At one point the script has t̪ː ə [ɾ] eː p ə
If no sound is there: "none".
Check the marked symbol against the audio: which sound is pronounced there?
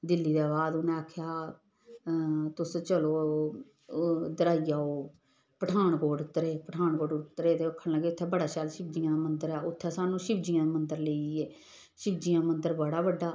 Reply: ɾ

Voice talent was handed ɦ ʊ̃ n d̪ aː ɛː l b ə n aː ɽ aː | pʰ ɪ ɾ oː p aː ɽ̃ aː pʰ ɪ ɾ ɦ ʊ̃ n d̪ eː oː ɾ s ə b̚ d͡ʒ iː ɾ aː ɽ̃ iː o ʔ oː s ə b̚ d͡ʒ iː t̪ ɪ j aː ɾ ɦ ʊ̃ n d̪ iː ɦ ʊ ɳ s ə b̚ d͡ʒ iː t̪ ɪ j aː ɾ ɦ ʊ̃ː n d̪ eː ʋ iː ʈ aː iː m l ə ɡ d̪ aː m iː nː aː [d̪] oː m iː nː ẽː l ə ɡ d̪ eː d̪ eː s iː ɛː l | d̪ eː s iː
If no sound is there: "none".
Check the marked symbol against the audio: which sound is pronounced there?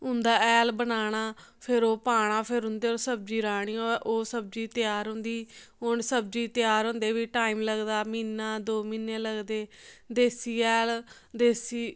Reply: d̪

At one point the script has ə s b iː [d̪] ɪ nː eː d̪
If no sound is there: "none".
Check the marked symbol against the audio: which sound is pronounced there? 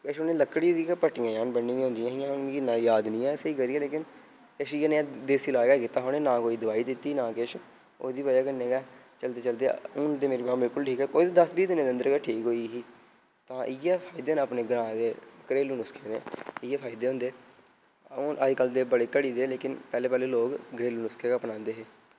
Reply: d̪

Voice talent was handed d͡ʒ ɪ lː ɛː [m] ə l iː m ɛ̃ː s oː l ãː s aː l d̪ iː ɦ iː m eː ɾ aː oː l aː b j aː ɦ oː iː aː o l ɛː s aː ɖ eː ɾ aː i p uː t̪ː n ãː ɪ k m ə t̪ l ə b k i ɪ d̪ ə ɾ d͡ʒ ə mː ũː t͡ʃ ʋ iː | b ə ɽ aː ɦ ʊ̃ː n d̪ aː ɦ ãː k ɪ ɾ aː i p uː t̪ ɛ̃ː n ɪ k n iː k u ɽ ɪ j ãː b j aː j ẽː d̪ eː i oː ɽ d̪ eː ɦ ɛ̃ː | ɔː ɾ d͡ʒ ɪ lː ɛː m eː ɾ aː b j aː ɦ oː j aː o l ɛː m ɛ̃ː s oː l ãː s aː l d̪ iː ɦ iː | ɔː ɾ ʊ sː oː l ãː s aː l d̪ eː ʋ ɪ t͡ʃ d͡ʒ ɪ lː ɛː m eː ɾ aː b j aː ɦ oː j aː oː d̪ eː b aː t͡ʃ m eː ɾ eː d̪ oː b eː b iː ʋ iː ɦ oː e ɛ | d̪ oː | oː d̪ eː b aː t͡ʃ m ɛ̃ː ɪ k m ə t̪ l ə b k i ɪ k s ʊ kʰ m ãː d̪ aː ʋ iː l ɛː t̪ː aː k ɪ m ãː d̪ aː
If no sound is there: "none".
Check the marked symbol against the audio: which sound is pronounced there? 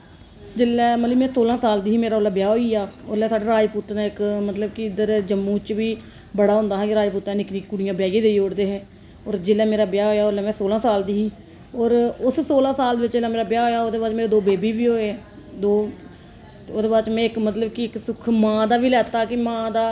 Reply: m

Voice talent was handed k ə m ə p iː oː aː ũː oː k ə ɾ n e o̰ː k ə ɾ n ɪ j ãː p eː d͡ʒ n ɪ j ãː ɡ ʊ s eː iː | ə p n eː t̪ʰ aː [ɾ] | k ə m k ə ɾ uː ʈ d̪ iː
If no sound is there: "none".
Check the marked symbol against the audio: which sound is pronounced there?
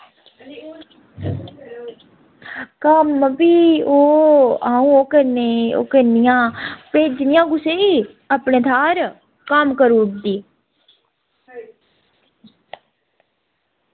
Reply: ɾ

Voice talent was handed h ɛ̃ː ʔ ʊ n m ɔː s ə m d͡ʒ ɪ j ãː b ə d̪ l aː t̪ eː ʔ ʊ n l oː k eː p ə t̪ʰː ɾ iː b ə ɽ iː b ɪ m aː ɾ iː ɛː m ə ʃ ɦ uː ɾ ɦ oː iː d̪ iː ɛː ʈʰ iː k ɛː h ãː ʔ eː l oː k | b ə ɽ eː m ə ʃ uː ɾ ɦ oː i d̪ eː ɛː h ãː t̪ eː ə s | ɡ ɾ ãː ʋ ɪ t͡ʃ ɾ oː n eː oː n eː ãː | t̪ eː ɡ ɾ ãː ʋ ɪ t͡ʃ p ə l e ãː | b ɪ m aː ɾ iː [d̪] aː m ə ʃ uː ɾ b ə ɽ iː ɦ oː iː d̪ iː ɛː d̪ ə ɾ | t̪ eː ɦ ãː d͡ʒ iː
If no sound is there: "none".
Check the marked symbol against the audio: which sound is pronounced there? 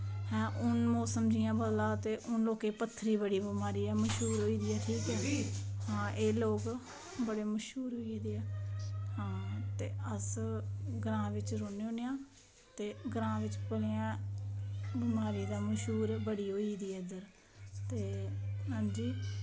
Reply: d̪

